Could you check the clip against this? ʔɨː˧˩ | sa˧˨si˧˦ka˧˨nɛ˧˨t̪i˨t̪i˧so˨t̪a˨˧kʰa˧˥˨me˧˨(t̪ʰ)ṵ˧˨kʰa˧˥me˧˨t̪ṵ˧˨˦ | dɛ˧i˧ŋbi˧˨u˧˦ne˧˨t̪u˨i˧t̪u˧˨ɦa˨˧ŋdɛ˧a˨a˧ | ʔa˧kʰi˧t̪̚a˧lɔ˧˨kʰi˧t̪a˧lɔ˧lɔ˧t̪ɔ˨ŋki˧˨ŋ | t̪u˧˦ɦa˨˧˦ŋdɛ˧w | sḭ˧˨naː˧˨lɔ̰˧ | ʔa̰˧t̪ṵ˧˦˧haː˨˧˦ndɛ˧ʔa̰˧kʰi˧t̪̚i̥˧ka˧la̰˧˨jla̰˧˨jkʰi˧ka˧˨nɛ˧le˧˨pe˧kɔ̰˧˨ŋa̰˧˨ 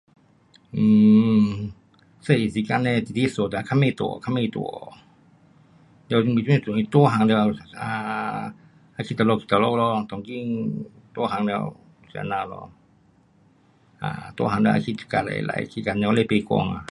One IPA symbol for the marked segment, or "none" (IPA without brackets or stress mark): t̪